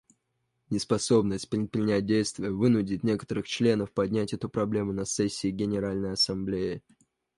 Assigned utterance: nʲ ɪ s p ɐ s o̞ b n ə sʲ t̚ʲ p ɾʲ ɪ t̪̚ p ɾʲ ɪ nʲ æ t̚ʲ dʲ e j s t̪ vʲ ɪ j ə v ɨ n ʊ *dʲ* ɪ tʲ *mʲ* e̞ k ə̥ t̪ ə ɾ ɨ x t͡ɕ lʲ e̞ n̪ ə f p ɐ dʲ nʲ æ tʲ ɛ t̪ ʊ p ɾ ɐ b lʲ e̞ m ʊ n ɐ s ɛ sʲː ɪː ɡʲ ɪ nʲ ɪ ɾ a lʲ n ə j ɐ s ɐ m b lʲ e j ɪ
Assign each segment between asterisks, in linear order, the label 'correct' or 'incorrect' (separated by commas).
correct, incorrect